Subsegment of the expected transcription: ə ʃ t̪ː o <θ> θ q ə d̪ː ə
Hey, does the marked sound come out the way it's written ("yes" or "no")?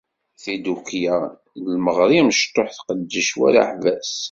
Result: no